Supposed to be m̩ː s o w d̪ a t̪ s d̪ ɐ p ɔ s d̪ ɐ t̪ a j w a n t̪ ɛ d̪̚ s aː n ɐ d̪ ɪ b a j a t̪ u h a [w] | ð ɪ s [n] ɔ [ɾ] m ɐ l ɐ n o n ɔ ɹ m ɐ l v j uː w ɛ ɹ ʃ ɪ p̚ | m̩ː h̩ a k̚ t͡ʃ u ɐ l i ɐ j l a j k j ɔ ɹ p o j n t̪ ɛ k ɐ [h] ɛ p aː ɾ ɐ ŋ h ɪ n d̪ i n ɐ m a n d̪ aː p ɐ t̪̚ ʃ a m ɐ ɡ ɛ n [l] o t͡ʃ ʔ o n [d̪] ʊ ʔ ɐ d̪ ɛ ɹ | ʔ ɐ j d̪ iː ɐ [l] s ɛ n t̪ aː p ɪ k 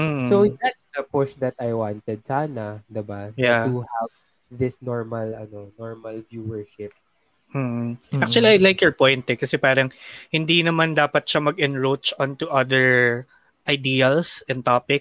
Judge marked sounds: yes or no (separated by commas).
no, yes, no, no, no, no, yes